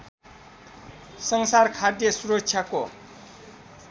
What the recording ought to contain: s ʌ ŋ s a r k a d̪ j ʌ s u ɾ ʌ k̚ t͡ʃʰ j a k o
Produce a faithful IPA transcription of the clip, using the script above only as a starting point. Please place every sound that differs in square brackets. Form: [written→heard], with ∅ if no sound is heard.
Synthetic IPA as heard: s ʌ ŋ s a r [k→kʰ] a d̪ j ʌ s u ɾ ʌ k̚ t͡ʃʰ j a k o